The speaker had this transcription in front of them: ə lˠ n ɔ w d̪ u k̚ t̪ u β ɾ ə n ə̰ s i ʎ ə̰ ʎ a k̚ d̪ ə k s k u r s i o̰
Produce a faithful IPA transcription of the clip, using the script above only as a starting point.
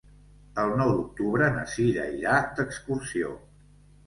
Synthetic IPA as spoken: ə lˠ n ɔ w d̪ u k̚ t̪ u β ɾ ə n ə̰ s i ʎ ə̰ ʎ a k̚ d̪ ə k s k u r s i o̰